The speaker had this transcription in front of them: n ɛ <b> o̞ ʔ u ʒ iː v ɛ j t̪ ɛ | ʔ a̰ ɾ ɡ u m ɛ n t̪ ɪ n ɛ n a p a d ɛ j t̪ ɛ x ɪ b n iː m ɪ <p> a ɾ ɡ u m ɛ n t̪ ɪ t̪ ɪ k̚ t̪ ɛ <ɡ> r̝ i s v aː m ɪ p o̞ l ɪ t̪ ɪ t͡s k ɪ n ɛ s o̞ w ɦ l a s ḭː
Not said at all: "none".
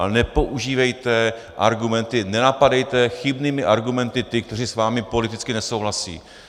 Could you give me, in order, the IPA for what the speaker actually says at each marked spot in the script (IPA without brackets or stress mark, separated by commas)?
p, ʔ, none